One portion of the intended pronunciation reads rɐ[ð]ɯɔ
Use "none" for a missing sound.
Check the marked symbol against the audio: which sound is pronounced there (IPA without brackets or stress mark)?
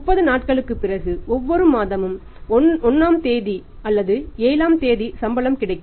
ɣ